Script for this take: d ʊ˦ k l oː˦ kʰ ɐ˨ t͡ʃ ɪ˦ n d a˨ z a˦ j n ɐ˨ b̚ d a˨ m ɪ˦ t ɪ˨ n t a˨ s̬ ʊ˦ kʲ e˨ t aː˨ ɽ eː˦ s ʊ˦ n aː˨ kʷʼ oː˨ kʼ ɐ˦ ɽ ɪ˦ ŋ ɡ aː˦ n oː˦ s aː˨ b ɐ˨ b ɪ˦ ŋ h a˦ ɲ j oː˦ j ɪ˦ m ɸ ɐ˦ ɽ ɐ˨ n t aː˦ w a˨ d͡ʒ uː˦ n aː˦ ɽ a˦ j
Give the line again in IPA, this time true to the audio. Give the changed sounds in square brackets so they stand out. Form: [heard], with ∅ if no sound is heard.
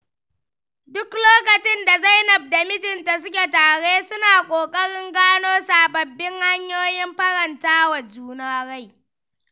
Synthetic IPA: d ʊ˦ k l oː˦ [k] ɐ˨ t͡ʃ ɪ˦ n d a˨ z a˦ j n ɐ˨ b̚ d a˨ m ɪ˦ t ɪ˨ n t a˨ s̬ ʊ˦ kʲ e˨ t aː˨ ɽ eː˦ s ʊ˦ n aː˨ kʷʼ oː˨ kʼ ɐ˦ ɽ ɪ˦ ŋ ɡ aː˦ n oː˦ s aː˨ b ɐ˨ [bː] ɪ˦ ŋ h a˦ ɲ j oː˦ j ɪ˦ m ɸ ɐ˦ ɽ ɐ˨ n t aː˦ w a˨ d͡ʒ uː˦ n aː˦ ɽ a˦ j